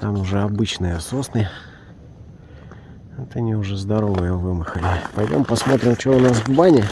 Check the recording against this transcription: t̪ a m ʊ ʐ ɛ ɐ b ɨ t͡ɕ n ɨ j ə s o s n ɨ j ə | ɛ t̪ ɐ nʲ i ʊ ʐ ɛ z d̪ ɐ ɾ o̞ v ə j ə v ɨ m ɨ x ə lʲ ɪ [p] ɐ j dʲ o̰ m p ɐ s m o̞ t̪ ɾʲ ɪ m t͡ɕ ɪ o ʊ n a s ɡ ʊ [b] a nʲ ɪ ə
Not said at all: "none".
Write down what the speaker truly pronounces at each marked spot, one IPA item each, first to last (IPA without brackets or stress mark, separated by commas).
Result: p, b